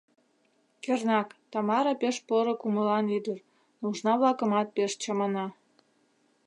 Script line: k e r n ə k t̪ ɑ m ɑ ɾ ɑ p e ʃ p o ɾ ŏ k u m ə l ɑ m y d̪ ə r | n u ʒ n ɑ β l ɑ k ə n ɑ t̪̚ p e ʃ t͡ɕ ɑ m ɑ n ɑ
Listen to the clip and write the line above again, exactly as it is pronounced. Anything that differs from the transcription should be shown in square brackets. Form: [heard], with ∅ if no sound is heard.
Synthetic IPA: k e r n [ɑ] k t̪ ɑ m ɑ ɾ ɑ p e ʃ p o ɾ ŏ k u m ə l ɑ [n] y d̪ ə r | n u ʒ n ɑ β l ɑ k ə [m] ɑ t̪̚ p e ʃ t͡ɕ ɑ m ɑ n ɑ